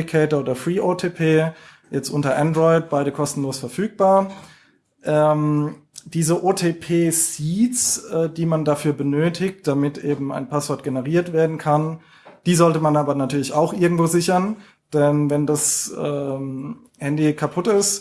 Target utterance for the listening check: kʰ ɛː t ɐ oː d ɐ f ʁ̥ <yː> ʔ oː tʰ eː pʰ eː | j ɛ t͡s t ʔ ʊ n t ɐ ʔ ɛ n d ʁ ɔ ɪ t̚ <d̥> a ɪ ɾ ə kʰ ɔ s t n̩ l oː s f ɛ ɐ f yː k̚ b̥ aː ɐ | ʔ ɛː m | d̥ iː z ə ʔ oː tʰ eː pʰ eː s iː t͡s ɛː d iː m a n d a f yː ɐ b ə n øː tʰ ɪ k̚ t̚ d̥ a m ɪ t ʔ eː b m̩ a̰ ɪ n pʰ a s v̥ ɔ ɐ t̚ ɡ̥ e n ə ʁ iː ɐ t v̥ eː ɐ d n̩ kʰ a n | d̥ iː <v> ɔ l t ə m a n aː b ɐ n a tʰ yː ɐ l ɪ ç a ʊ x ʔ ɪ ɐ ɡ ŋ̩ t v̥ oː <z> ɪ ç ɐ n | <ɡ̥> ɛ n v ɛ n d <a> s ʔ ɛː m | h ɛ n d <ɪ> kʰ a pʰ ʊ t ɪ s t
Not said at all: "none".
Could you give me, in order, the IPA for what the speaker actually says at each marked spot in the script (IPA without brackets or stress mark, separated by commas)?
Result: iː, b̥, z, z, d̥, a, i